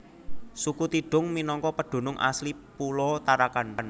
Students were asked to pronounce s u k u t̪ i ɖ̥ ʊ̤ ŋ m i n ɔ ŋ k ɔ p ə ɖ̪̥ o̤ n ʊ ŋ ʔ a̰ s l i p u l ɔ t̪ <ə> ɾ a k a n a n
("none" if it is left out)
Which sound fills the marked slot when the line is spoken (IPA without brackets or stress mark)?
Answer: a